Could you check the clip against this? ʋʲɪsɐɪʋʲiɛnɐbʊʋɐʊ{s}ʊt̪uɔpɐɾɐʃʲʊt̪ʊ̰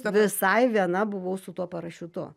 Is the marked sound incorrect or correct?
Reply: correct